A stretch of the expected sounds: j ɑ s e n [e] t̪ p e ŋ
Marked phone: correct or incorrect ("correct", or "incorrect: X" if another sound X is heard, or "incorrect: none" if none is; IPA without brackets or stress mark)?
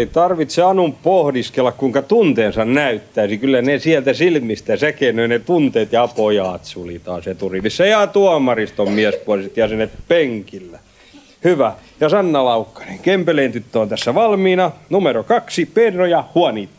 correct